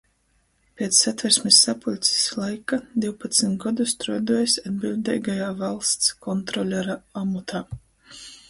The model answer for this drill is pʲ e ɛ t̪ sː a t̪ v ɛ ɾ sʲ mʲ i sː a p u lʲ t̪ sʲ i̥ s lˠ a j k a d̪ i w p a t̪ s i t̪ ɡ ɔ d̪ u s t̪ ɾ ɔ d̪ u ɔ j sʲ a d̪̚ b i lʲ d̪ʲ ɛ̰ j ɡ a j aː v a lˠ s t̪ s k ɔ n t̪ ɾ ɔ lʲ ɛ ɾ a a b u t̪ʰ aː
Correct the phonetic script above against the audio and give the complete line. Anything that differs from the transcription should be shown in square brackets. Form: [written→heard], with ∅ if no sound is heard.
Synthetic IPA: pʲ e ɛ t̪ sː a t̪ v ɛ ɾ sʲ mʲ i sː a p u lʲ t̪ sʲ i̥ s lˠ a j k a d̪ i w p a t̪ s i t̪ ɡ ɔ d̪ u s t̪ ɾ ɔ d̪ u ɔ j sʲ a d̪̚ b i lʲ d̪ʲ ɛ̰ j ɡ a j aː v a lˠ s t̪ s k ɔ n t̪ ɾ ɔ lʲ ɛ ɾ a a [b→m] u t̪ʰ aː